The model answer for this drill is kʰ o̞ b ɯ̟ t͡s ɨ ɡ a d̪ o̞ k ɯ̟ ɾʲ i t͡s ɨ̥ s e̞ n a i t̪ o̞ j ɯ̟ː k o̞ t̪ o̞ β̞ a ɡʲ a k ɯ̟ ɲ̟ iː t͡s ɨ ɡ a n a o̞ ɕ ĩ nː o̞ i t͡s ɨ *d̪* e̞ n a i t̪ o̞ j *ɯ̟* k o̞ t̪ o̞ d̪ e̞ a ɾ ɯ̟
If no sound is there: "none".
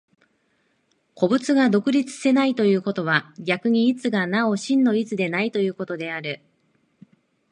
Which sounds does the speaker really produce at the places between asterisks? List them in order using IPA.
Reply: d̪, ɯ̟ː

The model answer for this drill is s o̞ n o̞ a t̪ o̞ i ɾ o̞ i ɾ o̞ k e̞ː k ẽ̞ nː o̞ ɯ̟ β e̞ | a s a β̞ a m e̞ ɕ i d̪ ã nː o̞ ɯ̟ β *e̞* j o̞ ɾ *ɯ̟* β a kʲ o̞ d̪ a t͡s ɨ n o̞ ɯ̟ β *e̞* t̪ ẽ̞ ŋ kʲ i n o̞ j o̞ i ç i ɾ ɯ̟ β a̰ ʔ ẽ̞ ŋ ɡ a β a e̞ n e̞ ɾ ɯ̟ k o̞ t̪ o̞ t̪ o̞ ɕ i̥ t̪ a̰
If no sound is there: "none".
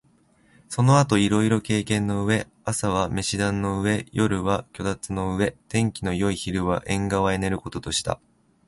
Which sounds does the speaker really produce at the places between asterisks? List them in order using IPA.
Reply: e̞, ɯ̟, e̞

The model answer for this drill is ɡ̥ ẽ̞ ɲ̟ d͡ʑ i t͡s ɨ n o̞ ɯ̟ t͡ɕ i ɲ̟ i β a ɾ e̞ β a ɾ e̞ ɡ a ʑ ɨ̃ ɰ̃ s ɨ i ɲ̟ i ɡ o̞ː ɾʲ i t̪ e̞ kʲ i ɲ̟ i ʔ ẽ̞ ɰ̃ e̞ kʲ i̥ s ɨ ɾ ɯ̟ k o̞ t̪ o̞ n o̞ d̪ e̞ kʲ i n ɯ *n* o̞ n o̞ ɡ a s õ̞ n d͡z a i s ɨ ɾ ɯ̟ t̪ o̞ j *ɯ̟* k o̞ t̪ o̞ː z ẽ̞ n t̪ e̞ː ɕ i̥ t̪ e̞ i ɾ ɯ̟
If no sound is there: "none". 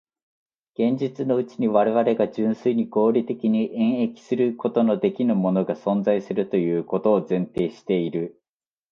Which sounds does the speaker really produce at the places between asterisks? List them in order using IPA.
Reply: m, ɯ̟ː

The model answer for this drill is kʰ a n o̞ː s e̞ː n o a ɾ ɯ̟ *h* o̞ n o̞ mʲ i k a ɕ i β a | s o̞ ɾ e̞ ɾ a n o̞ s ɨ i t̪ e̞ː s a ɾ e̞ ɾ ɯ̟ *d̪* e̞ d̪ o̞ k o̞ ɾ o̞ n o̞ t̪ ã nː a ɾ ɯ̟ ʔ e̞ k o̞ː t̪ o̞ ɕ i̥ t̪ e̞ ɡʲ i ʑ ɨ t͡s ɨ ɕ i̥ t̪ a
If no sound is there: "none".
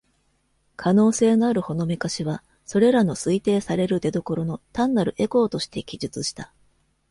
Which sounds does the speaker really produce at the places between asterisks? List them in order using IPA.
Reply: h, d̪

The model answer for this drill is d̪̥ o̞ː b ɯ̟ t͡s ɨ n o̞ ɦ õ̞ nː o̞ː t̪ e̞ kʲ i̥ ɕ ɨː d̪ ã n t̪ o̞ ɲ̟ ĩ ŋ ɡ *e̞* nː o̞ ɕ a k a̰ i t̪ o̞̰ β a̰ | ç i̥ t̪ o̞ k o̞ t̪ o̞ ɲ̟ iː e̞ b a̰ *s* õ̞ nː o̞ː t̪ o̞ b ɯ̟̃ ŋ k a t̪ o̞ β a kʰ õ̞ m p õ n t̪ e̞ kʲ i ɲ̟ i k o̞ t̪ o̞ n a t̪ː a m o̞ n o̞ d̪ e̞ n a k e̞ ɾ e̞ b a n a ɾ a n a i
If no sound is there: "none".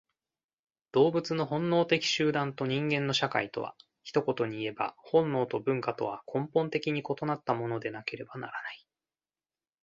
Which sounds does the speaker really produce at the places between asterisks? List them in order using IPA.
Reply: ẽ̞, h

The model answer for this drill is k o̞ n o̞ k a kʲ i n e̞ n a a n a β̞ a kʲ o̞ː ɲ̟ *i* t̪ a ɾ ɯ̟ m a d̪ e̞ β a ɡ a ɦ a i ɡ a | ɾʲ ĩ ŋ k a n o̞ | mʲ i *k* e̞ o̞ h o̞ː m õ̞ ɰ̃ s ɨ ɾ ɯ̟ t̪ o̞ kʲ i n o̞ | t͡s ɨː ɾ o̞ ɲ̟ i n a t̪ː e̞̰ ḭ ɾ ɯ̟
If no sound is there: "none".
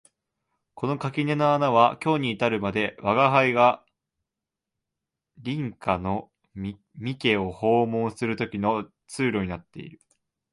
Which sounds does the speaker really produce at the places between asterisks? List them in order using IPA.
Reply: iː, k

